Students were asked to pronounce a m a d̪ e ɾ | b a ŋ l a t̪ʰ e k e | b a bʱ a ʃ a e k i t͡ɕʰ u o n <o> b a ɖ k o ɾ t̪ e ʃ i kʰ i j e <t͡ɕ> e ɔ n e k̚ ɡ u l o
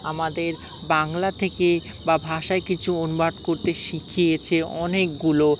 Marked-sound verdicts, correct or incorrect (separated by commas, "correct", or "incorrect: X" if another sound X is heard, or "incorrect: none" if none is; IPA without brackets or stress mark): incorrect: u, incorrect: t͡ɕʰ